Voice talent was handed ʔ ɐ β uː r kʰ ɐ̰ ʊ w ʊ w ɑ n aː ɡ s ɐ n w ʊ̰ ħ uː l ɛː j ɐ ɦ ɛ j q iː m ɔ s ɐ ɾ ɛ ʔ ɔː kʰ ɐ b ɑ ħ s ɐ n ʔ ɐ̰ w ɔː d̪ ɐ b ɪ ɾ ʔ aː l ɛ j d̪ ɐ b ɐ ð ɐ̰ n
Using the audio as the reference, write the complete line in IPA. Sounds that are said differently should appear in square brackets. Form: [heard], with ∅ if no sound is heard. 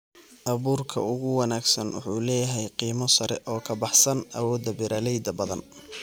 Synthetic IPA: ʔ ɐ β uː r kʰ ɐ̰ ʊ [ɣ] ʊ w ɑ n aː ɡ s ɐ n w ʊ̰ ħ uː l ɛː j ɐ ɦ ɛ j q iː m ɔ s ɐ ɾ ɛ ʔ ɔː kʰ ɐ b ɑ ħ s ɐ n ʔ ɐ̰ w ɔː d̪ ɐ b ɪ ɾ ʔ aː l ɛ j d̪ ɐ b ɐ ð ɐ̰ n